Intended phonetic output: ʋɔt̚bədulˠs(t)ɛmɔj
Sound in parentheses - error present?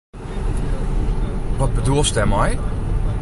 no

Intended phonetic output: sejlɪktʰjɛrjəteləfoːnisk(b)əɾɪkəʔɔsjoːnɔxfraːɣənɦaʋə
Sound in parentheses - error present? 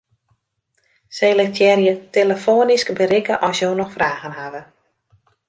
no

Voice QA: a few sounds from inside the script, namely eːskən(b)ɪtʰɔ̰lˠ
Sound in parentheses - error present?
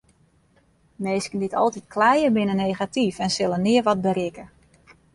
yes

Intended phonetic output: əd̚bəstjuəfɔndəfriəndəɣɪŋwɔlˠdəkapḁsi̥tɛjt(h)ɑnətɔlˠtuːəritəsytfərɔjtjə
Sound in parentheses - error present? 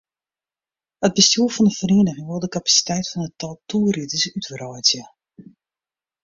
yes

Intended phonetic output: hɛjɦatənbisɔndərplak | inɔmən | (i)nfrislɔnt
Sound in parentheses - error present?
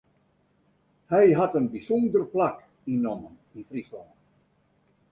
no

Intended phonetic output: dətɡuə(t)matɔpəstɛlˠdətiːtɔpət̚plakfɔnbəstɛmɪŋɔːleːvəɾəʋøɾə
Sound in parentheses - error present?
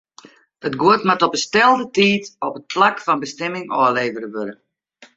no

